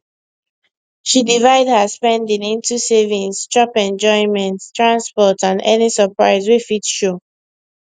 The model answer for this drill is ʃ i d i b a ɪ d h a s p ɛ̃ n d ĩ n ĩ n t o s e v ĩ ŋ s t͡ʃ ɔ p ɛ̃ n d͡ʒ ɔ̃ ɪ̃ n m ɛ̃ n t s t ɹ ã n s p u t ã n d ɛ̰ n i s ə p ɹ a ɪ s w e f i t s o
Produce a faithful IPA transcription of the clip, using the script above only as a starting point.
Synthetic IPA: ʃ i d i v a ɪ d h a s p ɛ̃ n d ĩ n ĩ n t u s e v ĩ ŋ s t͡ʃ ɔ p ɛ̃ n d͡ʒ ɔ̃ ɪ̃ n m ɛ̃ n t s t ɹ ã n s p ɔ t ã n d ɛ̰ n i s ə p ɹ a ɪ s w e f i t ʃ o